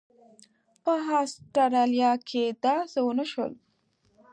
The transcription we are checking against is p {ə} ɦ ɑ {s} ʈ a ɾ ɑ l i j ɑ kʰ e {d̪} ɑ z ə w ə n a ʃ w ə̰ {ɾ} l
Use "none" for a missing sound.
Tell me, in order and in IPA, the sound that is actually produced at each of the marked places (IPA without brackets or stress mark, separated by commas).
ə, s, d̪, none